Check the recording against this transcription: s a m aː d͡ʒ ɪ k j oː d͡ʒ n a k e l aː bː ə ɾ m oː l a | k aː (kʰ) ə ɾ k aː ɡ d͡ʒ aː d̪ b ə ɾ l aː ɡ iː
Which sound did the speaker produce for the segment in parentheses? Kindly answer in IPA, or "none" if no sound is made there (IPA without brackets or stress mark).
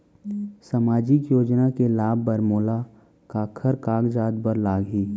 kʰ